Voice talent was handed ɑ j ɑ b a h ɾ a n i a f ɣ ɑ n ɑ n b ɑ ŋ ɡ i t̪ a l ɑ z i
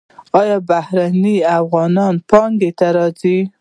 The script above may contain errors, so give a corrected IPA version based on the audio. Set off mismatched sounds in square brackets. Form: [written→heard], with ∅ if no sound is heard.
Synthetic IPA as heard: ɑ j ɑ b a h ɾ a n i a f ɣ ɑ n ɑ n [b→p] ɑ ŋ ɡ [i→e] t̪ a [l→ɾ] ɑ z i